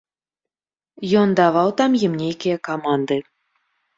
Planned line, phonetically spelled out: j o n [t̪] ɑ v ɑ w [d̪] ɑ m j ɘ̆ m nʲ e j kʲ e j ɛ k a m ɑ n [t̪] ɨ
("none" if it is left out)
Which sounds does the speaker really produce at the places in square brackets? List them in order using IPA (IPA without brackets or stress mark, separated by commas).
d̪, t̪, d̪